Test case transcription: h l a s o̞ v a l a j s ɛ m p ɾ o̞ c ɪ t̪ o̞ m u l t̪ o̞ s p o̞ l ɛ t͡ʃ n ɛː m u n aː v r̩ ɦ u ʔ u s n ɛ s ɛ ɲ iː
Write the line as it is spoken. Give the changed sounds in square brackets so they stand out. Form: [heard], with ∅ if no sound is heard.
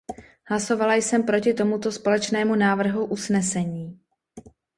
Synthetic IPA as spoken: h l a s o̞ v a l a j s ɛ m p ɾ o̞ c ɪ t̪ o̞ m u [∅] t̪ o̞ s p o̞ l ɛ t͡ʃ n ɛː m u n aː v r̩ ɦ u ʔ u s n ɛ s ɛ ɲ iː